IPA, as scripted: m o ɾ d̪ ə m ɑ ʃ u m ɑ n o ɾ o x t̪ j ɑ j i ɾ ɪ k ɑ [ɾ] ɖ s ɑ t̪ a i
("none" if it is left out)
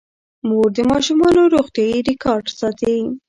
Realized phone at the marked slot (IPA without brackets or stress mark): ɾ